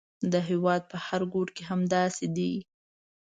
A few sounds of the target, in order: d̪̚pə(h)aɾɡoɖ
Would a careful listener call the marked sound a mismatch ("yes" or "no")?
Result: no